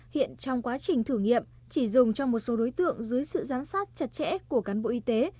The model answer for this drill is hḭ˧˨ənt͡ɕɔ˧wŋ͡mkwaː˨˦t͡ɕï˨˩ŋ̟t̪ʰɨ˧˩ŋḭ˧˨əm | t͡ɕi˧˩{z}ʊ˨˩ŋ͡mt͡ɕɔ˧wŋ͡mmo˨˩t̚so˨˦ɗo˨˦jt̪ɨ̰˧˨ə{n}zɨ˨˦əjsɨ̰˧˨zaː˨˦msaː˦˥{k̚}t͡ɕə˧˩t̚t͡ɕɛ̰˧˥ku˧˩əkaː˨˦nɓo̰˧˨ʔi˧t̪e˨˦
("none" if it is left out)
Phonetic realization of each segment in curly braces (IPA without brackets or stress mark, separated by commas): z, ŋ, t̚